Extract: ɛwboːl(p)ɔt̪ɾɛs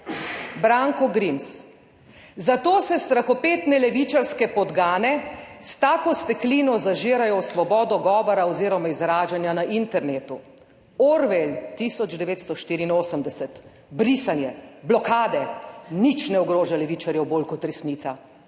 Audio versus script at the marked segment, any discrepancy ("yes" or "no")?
yes